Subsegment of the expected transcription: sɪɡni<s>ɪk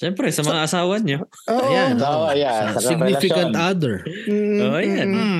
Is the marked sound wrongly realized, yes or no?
yes